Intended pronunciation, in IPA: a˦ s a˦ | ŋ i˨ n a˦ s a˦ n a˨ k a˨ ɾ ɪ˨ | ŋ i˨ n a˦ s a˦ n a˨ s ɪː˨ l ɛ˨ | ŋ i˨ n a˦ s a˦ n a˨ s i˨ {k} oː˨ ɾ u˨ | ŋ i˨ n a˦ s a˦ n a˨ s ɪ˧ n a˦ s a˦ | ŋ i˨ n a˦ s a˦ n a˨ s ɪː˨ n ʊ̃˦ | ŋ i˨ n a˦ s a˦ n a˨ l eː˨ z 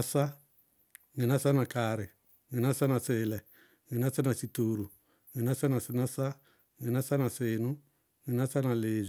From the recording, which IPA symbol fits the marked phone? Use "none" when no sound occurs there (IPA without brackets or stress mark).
t